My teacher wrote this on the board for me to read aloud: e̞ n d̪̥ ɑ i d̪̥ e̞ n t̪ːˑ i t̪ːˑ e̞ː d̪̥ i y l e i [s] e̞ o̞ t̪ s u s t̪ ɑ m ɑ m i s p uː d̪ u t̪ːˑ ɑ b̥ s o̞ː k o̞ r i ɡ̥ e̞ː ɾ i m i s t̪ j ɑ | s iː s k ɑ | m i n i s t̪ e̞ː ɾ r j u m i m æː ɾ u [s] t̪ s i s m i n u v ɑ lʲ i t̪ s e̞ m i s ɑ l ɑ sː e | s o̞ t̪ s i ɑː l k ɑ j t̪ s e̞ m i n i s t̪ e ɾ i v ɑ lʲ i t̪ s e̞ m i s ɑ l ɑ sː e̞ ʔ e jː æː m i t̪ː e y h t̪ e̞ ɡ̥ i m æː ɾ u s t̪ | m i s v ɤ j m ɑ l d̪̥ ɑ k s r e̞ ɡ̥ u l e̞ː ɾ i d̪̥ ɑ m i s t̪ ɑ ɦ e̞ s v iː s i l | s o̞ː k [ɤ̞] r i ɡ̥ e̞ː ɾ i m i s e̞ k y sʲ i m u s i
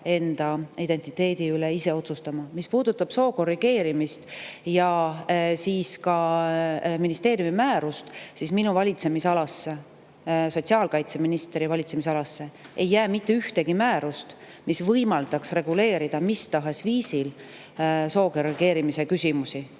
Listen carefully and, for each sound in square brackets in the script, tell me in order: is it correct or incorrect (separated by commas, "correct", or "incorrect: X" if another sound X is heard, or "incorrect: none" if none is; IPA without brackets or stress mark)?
correct, correct, incorrect: o̞